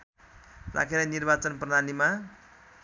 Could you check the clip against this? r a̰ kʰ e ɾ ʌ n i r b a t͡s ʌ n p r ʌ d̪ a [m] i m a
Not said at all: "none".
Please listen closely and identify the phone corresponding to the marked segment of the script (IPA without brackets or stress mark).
n